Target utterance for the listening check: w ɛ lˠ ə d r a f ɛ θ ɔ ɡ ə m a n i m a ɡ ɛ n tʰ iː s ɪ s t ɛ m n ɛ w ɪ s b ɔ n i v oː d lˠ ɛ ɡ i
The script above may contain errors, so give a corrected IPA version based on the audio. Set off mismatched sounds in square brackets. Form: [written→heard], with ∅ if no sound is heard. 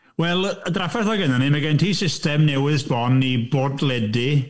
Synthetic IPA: w ɛ lˠ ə d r a f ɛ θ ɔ ɡ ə [m→n] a n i m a ɡ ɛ n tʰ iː s ɪ s t ɛ m n ɛ w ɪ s b ɔ n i [v→b] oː d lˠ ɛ [ɡ→d] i